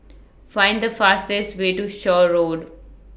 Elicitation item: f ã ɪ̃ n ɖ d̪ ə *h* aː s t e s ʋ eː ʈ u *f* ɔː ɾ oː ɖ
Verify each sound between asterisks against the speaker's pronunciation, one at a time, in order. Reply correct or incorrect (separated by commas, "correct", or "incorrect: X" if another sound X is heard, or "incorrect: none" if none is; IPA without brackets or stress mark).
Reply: incorrect: f, incorrect: ʃ